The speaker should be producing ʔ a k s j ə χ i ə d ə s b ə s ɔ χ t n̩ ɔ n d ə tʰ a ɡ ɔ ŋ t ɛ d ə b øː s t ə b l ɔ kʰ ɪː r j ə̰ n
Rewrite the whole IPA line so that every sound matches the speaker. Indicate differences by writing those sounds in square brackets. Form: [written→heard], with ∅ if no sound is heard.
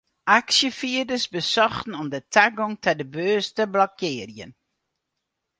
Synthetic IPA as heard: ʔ a k s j ə [χ→f] i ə d ə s b ə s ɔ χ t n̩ ɔ [n→m] d ə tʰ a ɡ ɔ ŋ t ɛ d ə b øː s t ə b l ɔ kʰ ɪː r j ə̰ n